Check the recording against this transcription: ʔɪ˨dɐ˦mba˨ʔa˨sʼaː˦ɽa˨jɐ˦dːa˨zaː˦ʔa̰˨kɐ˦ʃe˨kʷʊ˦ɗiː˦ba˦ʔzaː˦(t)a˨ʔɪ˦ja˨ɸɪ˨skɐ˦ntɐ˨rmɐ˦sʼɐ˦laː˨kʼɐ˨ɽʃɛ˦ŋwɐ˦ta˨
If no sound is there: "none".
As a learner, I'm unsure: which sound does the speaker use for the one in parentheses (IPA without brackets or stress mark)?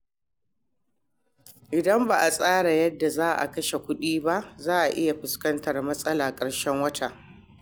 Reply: ʔ